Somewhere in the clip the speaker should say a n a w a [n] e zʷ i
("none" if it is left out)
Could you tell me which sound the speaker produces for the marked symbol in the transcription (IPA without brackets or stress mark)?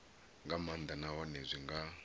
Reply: n